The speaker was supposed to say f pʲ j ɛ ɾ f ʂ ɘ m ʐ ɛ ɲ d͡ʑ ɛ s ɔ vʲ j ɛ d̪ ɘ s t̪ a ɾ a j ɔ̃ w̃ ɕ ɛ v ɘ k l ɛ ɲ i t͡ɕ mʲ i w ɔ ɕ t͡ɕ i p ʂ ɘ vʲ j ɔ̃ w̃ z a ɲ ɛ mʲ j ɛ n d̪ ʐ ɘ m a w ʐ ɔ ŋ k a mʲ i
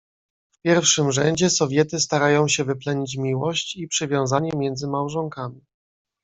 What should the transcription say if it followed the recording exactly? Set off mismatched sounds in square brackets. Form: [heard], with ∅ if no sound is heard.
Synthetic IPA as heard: f pʲ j ɛ ɾ f ʂ ɘ m ʐ ɛ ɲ d͡ʑ ɛ s ɔ vʲ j ɛ [t̪] ɘ s t̪ a ɾ a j ɔ̃ w̃ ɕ ɛ v ɘ [p] l ɛ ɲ i t͡ɕ mʲ i w ɔ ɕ t͡ɕ i p ʂ ɘ vʲ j ɔ̃ w̃ z a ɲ ɛ mʲ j ɛ n d̪ [z] ɘ m a w ʐ ɔ ŋ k a mʲ i